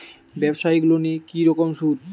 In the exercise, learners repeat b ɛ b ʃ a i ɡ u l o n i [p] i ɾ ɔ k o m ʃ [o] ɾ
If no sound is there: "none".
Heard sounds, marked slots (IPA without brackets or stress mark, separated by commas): k, u